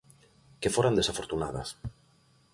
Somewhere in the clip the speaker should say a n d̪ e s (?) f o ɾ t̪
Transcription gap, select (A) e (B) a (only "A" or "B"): B